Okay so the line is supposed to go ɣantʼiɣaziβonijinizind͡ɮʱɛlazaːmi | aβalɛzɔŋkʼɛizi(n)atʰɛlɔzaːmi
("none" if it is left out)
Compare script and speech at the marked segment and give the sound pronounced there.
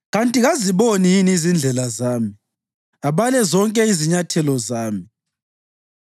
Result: ɲ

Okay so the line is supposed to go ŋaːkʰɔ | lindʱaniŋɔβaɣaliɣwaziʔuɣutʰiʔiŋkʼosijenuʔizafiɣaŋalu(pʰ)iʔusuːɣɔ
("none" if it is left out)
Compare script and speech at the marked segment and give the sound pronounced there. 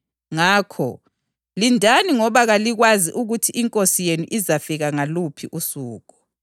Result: pʰ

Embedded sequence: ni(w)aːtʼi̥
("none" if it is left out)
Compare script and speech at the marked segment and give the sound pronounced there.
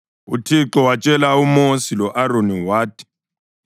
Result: w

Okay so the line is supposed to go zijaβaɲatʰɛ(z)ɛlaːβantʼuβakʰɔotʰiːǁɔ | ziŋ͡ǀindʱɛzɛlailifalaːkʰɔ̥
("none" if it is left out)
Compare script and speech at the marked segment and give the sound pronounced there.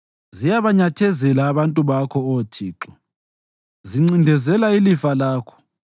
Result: z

